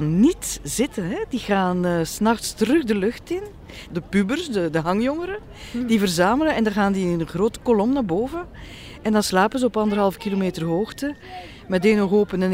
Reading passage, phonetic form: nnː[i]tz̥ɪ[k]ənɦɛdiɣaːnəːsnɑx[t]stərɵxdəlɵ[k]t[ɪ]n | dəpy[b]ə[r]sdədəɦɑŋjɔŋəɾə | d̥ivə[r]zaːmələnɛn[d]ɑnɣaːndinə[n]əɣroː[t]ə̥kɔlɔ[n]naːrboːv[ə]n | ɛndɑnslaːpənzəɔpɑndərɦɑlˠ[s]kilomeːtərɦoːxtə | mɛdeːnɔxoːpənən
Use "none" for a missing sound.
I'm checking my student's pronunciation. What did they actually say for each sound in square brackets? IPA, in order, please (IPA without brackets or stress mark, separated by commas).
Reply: i, t, t, x, ɪ, b, r, r, d, n, t, m, ə, f